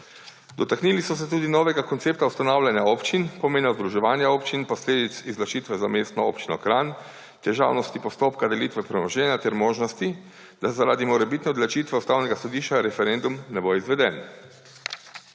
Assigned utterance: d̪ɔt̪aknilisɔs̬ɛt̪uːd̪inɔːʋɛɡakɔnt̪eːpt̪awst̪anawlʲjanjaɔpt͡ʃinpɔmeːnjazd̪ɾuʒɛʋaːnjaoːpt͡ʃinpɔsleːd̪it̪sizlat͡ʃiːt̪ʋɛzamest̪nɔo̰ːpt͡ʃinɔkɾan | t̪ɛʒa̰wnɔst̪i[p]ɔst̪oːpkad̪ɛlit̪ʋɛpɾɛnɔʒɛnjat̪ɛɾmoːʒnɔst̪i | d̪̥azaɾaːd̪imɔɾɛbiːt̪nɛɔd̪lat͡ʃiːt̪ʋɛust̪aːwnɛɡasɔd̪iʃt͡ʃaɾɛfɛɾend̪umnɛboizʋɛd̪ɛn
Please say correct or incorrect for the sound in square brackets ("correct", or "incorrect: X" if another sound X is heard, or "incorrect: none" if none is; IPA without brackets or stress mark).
correct